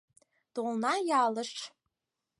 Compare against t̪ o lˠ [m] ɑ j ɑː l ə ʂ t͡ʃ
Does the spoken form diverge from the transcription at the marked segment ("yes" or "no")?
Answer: yes